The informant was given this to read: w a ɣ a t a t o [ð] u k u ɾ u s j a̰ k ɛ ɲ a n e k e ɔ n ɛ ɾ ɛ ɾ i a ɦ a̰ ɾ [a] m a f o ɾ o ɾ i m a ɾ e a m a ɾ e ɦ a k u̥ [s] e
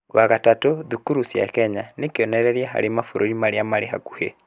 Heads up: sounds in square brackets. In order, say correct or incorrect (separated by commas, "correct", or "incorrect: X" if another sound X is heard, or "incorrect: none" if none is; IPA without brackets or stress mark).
correct, incorrect: e, incorrect: h